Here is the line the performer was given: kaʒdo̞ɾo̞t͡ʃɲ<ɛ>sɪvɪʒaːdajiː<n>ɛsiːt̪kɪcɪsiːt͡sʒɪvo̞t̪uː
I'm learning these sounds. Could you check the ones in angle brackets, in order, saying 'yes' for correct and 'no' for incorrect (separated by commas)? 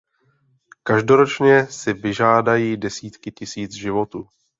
yes, no